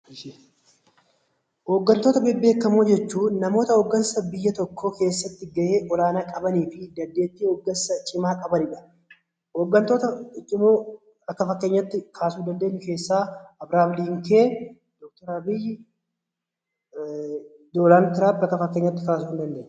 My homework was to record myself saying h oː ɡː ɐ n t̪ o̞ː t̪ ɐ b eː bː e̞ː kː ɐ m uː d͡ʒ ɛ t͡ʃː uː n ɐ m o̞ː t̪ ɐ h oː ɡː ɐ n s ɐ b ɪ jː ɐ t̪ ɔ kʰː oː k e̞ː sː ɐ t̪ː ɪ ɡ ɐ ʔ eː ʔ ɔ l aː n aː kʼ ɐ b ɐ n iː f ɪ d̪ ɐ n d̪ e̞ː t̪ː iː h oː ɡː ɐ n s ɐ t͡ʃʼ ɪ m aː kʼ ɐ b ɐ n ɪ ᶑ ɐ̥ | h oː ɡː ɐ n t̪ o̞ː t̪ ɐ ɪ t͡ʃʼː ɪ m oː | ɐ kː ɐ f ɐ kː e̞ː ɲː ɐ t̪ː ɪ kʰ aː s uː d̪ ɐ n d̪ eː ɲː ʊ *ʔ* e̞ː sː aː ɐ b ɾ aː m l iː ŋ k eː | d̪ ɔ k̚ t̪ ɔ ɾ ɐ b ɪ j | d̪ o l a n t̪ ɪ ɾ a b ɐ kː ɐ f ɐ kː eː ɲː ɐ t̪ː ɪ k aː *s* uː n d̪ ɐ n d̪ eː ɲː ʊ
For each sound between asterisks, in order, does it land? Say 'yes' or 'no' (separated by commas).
no, yes